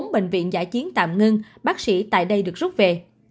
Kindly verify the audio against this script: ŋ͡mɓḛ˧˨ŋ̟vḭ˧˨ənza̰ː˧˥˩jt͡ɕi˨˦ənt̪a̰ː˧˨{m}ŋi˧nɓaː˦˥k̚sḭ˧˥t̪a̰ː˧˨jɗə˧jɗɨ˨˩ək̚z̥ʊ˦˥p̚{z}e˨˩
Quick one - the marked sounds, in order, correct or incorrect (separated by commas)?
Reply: correct, incorrect